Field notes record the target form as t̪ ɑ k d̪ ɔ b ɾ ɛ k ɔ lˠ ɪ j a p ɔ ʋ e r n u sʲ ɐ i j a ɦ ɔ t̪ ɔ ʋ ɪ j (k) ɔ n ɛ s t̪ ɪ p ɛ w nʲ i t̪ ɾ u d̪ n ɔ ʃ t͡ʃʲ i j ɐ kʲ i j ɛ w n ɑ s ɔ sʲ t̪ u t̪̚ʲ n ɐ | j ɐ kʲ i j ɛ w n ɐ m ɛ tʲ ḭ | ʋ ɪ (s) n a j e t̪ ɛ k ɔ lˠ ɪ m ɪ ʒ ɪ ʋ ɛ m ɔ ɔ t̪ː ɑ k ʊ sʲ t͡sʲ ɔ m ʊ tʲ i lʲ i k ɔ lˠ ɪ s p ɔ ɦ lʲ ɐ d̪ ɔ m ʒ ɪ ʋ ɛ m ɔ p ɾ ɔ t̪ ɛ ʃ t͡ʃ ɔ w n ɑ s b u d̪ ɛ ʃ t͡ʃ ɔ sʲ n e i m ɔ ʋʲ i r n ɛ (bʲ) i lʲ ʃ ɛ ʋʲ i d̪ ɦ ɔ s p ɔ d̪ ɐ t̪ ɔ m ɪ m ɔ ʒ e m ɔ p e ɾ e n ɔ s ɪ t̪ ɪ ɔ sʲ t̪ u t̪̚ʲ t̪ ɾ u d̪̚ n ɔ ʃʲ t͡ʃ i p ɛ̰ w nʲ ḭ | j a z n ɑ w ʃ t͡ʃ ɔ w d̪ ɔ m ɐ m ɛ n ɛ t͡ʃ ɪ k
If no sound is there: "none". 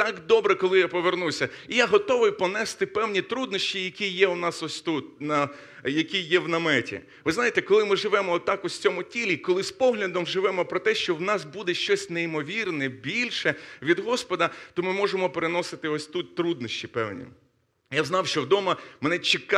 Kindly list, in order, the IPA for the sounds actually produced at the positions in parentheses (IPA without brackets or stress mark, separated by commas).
p, z, bʲ